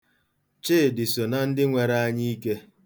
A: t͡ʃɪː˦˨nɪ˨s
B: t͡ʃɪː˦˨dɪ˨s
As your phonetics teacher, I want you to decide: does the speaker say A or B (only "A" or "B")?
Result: B